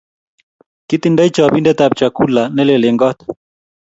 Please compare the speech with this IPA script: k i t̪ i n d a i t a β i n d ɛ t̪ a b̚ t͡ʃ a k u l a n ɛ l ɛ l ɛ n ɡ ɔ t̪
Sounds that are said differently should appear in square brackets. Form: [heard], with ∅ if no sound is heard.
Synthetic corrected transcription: k i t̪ i n d a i [t͡ʃ] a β i n d ɛ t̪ a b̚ t͡ʃ a k u l a n ɛ l ɛ l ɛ [ŋ] ɡ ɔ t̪

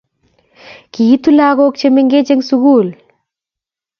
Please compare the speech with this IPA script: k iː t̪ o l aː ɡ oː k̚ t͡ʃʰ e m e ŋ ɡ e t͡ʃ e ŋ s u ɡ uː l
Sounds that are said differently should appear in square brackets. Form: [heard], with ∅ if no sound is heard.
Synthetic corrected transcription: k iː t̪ [u] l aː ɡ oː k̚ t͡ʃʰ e m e ŋ ɡ e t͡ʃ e ŋ s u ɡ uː l

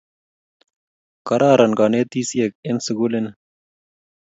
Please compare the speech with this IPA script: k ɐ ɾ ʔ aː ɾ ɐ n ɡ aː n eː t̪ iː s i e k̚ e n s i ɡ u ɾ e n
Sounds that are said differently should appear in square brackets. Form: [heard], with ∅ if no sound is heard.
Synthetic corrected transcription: k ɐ ɾ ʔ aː ɾ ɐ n ɡ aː n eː t̪ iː s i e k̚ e n s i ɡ u [l] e n

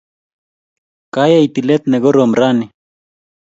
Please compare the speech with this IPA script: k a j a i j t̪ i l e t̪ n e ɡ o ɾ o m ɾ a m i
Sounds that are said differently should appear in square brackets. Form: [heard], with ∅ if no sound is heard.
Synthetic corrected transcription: k a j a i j t̪ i l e t̪ n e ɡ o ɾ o m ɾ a [n] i

